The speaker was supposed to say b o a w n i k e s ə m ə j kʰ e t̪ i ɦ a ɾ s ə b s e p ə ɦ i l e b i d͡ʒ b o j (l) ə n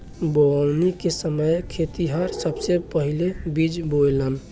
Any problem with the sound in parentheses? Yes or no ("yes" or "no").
no